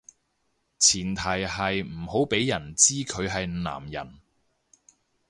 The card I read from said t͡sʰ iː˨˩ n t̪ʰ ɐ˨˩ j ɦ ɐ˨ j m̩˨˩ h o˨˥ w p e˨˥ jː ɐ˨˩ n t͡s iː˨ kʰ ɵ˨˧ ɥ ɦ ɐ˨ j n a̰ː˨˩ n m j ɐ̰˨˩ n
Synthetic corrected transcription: t͡sʰ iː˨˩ n t̪ʰ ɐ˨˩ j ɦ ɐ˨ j m̩˨˩ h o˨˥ w p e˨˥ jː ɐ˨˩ n t͡s iː˥ kʰ ɵ˨˧ ɥ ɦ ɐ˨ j n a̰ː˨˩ m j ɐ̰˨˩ n